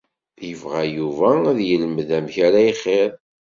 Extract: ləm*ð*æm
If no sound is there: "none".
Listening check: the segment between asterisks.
ð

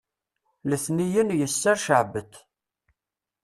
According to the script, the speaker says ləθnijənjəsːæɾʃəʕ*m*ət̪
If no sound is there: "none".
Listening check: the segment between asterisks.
b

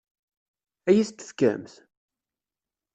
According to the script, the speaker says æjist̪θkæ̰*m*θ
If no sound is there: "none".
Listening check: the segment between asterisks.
m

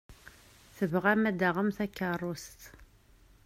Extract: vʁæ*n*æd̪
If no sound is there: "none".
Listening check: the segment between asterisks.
m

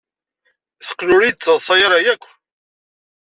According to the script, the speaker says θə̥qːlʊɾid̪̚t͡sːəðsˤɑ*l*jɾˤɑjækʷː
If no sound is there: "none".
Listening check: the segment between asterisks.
none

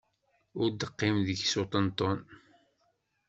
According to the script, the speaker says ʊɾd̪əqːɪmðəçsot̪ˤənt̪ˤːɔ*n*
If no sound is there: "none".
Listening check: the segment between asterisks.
n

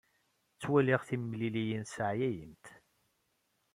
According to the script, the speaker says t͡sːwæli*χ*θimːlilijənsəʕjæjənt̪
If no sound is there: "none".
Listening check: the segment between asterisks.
ʁ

